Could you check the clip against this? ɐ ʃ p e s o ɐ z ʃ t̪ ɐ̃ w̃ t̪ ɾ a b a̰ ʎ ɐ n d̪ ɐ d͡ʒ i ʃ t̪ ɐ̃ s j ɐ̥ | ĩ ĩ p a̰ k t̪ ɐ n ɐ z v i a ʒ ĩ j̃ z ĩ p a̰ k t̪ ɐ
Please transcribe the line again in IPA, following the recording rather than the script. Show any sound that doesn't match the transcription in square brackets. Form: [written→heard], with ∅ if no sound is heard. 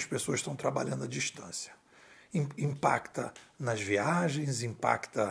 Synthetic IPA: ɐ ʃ p e s o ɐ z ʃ t̪ ɐ̃ w̃ t̪ ɾ a b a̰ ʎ [ɐ→ɐ̃] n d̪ ɐ d͡ʒ i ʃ t̪ ɐ̃ s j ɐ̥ | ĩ ĩ p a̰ k t̪ ɐ n ɐ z v i a ʒ [ĩ→ẽ] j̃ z ĩ p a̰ k t̪ ɐ